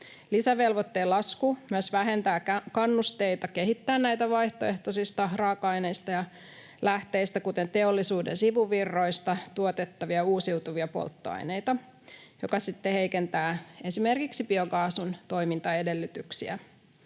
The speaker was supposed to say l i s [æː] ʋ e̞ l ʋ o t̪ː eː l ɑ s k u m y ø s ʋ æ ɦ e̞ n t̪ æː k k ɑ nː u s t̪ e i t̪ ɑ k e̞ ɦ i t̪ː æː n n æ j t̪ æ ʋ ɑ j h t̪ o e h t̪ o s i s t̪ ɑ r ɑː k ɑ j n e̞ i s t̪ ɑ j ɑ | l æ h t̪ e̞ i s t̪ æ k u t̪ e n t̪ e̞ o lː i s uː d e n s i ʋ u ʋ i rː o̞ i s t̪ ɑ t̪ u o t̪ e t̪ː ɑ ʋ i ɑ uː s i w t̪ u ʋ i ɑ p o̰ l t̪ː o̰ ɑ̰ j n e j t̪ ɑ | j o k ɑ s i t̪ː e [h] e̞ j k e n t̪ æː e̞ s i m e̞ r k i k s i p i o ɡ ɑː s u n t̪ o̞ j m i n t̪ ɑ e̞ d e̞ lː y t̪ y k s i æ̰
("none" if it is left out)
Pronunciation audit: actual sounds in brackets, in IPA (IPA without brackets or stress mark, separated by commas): æ, h